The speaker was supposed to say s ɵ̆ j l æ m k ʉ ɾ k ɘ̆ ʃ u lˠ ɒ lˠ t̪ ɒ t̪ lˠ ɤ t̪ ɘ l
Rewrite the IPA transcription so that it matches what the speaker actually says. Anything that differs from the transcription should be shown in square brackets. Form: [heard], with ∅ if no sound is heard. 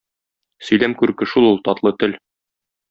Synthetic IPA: s ɵ̆ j l æ m k ʉ ɾ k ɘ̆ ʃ u lˠ [u] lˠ t̪ ɒ t̪ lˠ ɤ t̪ ɘ l